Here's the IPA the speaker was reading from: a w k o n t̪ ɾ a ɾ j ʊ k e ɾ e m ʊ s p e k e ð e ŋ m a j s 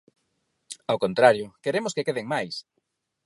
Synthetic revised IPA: a w k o n t̪ ɾ a ɾ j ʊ k e ɾ e m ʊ s k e k e ð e ŋ m a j s